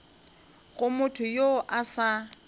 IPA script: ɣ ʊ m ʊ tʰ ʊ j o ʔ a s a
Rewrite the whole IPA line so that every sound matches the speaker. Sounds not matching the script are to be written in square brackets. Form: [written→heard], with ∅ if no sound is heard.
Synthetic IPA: ɣ ʊ m ʊ tʰ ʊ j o ʔ a s a

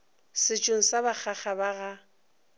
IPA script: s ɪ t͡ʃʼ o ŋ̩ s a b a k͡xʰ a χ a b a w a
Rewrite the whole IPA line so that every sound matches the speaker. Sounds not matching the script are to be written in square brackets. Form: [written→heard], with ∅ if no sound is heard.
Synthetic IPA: s ɪ t͡ʃʼ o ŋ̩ s a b a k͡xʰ a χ a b a [w→ɣ] a

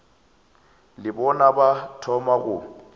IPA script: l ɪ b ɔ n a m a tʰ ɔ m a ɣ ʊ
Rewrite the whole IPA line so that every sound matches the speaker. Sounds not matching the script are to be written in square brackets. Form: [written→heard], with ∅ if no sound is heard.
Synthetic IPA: l ɪ b ɔ n a [m→b] a tʰ ɔ m a ɣ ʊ

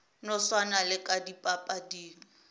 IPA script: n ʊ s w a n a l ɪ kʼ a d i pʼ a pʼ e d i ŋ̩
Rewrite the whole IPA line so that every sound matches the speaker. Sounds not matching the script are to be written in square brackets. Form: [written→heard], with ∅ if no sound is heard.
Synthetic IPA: n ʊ s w a n a l ɪ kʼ a d i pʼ a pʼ [e→a] d [i→iː] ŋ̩

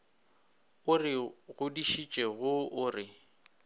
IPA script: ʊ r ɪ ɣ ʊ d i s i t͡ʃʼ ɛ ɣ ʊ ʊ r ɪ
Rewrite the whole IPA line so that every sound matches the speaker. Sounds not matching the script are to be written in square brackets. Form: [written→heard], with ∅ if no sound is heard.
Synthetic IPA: ʊ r ɪ ɣ ʊ d i [s→ʃ] i t͡ʃʼ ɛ ɣ ʊ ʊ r ɪ

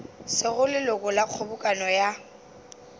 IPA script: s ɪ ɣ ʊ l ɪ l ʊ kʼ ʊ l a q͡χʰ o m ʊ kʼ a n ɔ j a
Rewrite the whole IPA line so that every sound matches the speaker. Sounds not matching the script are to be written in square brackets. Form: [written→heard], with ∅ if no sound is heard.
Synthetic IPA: s ɪ ɣ ʊ l ɪ l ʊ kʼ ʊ l a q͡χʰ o [m→b] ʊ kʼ a n ɔ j a

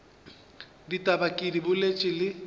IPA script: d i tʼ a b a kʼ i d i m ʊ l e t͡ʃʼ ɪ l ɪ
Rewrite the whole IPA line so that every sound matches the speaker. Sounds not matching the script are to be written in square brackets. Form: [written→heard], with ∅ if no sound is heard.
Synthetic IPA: d i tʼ a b a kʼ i d i [m→b] ʊ l e t͡ʃʼ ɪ l ɪ

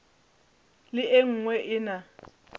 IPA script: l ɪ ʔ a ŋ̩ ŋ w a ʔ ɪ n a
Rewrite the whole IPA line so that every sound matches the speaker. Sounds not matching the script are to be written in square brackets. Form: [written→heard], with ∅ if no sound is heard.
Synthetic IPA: l ɪ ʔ [a→e] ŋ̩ ŋ w [a→ɛ] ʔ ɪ n a

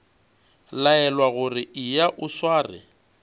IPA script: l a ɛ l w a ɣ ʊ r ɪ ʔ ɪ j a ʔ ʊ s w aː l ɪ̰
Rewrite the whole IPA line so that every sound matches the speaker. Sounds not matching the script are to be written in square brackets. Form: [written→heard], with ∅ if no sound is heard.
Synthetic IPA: l a ɛ l w a ɣ ʊ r ɪ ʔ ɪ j a ʔ ʊ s w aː [l→r] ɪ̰

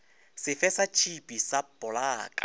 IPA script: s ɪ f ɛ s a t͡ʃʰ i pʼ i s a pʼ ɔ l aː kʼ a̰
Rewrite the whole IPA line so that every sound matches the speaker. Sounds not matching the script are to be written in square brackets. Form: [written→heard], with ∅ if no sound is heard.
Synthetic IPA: s ɪ f ɛ s a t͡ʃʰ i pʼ i s a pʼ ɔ l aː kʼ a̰

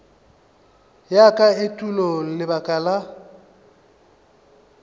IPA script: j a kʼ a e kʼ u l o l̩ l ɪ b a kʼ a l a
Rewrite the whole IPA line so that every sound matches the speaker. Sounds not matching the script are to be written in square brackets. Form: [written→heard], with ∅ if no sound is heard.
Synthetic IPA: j a kʼ a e [kʼ→tʼ] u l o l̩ l ɪ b a kʼ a l a

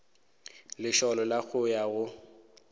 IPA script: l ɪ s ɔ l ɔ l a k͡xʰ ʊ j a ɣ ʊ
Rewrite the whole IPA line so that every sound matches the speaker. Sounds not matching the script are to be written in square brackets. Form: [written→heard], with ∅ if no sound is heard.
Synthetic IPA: l ɪ [s→ʃ] ɔ l ɔ l a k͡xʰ ʊ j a ɣ ʊ

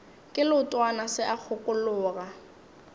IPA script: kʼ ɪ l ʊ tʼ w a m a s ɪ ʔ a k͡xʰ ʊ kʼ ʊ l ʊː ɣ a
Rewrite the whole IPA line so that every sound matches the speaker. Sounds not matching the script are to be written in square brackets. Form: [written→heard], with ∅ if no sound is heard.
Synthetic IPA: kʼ ɪ l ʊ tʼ w a [m→n] a s ɪ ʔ a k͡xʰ ʊ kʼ ʊ l ʊː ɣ a

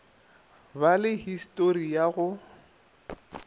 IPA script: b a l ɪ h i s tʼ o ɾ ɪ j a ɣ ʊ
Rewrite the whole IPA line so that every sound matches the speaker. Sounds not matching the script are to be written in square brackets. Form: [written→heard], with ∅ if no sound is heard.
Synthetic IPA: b a l ɪ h i s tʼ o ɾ [ɪ→i] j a ɣ ʊ

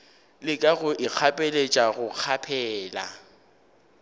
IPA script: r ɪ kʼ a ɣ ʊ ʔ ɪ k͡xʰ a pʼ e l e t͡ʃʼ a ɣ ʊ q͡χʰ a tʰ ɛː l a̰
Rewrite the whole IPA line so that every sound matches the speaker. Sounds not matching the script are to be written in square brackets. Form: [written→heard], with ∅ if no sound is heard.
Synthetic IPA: [r→l] ɪ kʼ a ɣ ʊ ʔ ɪ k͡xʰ a pʼ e l e t͡ʃʼ a ɣ ʊ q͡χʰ a [tʰ→pʰ] ɛː l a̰

